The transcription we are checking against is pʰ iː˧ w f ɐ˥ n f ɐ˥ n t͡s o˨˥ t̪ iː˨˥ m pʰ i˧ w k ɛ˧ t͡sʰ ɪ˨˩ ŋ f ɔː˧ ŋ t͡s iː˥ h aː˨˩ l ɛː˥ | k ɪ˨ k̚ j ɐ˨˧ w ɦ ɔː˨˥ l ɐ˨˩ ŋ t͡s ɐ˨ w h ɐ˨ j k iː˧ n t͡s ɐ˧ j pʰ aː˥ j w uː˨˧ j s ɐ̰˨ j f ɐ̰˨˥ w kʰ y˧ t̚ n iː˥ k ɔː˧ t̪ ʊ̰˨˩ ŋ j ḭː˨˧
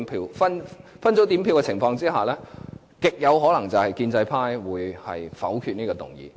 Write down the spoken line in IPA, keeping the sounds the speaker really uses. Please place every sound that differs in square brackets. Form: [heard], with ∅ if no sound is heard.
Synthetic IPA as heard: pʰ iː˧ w f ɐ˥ n f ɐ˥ n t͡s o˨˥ t̪ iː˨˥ m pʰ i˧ w k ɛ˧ t͡sʰ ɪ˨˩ ŋ f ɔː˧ ŋ t͡s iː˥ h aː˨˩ l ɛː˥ | k ɪ˨ k̚ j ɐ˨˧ w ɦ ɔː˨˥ l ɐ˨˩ ŋ t͡s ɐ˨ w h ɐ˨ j k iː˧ n t͡s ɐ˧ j pʰ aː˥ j w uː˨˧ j [h] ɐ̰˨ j f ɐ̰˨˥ w kʰ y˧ t̚ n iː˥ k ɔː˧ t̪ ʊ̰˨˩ ŋ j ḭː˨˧